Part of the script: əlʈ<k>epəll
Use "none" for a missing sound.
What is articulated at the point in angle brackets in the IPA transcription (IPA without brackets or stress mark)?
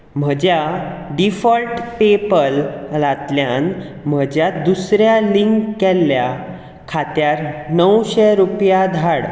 p